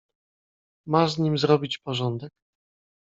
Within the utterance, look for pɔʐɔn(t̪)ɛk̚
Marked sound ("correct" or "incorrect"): incorrect